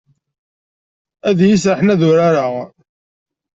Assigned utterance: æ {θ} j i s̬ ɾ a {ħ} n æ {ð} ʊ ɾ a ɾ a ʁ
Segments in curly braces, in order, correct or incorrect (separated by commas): incorrect, correct, correct